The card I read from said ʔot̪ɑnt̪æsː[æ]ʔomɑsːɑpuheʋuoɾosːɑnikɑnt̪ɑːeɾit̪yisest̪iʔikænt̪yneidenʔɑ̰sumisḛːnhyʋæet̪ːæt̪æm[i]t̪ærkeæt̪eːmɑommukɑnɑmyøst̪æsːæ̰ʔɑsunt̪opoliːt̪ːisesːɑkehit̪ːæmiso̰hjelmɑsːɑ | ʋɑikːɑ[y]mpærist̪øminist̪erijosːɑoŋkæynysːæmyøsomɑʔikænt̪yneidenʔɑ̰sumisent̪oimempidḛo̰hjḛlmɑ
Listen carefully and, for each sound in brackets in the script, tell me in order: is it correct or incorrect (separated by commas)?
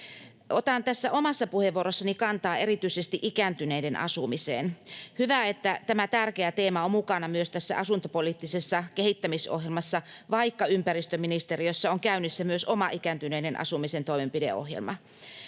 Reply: correct, incorrect, correct